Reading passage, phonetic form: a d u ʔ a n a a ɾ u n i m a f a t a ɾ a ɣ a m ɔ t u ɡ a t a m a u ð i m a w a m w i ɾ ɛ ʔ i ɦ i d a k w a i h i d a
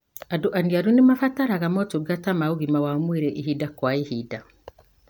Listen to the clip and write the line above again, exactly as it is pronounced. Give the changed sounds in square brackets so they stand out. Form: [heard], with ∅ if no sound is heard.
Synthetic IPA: a d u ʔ a n [i] a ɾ u n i m a f a t a ɾ a ɣ a m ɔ t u ɡ a t a m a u [ɣ] i m a w a m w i ɾ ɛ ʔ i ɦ i d a k w a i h i d a